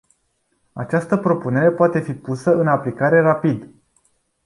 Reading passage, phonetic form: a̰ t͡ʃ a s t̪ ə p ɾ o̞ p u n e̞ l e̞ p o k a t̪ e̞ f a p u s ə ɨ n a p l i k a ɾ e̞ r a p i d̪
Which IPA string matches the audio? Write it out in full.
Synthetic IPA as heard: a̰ t͡ʃ a s t̪ ə p ɾ o̞ p u n e̞ ɾ e̞ p o a t̪ e̞ f i p u s ə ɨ n a p l i k a ɾ e̞ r a p i d̪